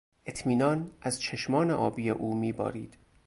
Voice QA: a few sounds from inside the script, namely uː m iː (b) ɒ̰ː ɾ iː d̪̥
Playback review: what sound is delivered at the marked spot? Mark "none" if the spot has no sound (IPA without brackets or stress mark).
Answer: b